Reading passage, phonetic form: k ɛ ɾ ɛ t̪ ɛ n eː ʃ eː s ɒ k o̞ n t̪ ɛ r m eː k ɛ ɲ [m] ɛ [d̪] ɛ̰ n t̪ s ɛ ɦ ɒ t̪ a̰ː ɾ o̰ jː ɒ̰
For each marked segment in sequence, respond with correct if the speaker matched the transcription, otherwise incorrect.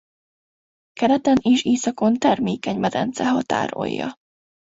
correct, correct

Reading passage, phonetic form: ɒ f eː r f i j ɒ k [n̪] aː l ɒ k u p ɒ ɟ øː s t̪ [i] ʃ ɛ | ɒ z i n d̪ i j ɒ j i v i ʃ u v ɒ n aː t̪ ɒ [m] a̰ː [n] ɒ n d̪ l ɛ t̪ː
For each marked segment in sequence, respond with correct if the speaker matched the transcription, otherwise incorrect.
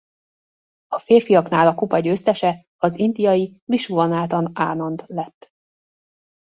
correct, incorrect: ɛ, incorrect: n, correct

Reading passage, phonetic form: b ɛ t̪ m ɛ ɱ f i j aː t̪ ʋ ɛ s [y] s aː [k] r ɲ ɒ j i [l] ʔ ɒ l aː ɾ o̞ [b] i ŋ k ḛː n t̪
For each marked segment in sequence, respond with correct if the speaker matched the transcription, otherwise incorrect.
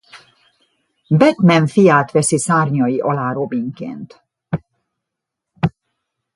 incorrect: i, incorrect: none, incorrect: none, correct

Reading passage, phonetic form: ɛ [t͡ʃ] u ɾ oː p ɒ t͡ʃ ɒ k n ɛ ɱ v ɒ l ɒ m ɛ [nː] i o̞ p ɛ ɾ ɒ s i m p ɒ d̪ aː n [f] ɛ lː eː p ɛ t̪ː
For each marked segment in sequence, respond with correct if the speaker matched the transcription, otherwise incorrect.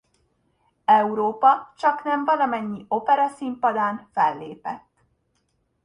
incorrect: none, incorrect: ɲː, correct

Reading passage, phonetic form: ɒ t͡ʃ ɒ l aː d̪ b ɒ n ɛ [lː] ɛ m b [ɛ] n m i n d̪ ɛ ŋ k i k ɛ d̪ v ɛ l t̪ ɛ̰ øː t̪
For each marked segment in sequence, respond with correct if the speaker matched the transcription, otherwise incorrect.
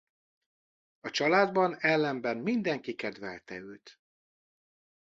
correct, correct

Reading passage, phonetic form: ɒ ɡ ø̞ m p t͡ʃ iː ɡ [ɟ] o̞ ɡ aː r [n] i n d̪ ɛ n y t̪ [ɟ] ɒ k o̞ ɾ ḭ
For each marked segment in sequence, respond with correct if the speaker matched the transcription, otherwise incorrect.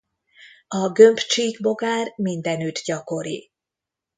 incorrect: b, incorrect: m, correct

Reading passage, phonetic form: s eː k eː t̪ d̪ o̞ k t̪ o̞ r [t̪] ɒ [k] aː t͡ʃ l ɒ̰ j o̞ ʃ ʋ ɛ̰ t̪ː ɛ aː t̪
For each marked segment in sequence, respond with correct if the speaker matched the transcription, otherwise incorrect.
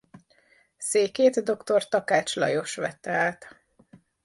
correct, correct

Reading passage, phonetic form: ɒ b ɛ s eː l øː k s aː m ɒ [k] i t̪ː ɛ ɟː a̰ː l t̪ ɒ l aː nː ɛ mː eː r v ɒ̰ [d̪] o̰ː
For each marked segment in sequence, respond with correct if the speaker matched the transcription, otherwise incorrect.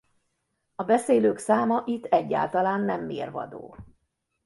incorrect: ʔ, correct

